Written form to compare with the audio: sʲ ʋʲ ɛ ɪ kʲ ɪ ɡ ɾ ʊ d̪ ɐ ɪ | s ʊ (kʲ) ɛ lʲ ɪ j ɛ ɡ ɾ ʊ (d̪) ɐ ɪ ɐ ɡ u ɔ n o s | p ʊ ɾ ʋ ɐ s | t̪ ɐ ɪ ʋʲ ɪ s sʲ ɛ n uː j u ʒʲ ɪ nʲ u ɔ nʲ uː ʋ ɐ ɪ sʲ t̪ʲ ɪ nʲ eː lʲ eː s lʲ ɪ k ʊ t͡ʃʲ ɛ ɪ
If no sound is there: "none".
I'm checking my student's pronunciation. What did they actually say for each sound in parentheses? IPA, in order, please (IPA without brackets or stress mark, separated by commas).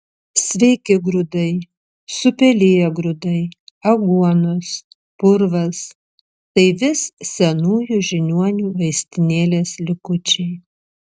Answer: pʲ, d̪